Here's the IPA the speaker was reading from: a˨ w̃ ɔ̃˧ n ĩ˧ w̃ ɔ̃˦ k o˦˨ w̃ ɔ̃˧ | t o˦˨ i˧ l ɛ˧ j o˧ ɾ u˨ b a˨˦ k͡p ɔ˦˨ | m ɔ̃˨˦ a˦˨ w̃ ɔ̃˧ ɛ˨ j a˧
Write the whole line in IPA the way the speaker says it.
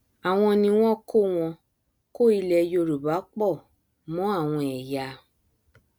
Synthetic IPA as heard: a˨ w̃ ɔ̃˧ n ĩ˧ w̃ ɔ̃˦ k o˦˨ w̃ ɔ̃˧ | k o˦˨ i˧ l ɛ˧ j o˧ ɾ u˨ b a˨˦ k͡p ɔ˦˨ | m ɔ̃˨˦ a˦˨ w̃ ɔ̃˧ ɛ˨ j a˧